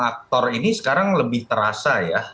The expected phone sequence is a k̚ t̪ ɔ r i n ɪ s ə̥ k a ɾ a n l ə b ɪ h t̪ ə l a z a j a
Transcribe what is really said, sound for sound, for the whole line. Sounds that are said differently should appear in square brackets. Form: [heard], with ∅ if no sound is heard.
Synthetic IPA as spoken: a k̚ t̪ ɔ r i n [i] s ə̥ k a ɾ a [ŋ] l ə b ɪ h t̪ ə [ɾ] a [s] a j a